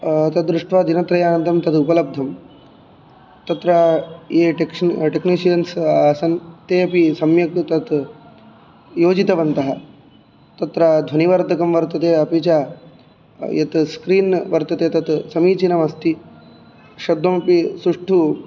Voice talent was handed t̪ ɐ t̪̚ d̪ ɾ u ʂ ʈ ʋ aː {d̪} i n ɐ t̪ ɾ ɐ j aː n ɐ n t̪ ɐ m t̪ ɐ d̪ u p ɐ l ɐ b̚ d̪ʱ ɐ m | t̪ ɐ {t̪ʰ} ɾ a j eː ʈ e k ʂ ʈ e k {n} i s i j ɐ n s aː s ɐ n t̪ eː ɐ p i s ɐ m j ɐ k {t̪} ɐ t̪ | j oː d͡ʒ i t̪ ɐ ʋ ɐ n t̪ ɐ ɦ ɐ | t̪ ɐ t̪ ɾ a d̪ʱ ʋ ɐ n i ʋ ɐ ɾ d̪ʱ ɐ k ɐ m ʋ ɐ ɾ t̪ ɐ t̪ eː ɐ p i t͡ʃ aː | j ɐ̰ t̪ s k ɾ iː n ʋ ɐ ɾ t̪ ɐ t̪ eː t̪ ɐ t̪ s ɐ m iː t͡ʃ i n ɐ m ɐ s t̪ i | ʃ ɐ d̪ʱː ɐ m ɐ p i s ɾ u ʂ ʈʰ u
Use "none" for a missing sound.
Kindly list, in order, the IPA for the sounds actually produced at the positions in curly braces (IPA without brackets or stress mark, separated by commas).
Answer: d̪, t̪, n, t̪